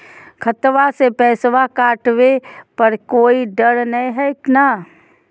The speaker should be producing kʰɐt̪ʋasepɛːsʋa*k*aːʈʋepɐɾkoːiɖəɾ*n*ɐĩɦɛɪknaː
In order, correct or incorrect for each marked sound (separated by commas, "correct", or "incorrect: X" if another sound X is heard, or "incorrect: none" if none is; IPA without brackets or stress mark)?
correct, correct